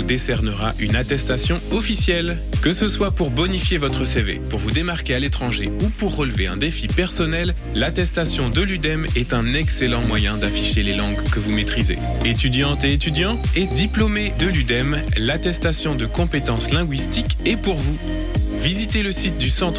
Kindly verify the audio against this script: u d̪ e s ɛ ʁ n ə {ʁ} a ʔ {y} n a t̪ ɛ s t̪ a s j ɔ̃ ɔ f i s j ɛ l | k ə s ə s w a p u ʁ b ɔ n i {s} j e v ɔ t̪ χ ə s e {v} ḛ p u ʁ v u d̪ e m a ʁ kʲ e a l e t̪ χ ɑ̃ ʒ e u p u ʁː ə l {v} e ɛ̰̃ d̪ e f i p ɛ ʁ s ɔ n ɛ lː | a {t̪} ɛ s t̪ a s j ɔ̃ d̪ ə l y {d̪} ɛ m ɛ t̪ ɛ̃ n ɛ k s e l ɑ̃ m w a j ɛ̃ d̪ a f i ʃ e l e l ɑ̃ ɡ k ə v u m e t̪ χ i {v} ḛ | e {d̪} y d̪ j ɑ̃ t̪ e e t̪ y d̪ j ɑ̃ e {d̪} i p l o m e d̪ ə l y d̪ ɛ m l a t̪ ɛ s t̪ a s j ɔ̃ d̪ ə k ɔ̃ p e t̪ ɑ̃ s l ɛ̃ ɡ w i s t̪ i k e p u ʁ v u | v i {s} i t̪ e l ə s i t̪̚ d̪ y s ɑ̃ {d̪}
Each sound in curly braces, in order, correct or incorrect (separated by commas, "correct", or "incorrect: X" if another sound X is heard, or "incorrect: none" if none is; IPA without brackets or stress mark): correct, correct, incorrect: f, correct, correct, correct, correct, incorrect: z, incorrect: t̪, correct, incorrect: z, incorrect: t̪